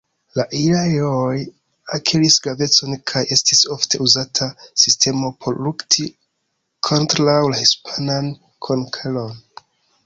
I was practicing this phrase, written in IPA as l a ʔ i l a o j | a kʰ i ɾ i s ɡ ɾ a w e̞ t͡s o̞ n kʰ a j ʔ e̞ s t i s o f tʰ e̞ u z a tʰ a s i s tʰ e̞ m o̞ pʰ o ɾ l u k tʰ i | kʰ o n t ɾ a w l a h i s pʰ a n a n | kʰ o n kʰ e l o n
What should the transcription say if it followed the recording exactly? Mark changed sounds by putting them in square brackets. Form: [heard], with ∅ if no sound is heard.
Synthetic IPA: l a ʔ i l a o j | a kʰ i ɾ i s ɡ ɾ a [v] e̞ t͡s o̞ n kʰ a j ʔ e̞ s t i s o f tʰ e̞ u z a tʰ a s i s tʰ e̞ m o̞ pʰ o ɾ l u k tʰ i | kʰ o n t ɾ a w l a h i s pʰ a n a n | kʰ o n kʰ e l o n